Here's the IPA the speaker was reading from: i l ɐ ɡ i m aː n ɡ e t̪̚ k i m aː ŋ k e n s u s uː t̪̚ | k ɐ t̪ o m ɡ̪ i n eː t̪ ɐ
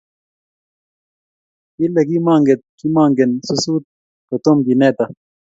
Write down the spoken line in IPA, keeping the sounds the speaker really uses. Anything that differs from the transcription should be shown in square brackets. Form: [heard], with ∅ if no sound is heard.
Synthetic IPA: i l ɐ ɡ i m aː [ŋ] ɡ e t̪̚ k i m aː ŋ [ɡ] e n s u s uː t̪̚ | k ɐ t̪ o m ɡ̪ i n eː t̪ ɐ